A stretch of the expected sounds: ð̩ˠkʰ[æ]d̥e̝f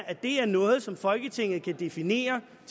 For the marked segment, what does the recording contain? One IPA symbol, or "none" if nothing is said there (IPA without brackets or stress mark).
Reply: æ